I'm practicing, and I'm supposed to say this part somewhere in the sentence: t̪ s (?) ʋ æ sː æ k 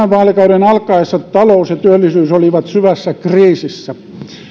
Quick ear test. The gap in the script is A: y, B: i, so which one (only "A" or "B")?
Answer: A